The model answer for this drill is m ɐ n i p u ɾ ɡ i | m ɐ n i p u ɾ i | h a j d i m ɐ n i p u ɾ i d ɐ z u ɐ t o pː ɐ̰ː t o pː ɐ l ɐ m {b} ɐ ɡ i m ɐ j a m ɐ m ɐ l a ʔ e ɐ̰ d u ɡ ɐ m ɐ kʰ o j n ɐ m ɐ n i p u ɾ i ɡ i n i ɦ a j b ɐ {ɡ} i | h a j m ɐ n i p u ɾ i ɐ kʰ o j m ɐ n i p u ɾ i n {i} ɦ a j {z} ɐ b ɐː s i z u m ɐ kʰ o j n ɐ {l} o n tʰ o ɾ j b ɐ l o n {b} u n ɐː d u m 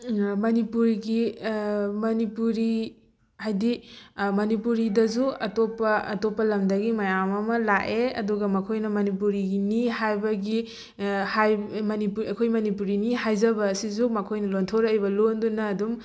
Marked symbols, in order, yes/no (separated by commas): no, yes, yes, yes, yes, no